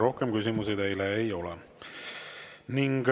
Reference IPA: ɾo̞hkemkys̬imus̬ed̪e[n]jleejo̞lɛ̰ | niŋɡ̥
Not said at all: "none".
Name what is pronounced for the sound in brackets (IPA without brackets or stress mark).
none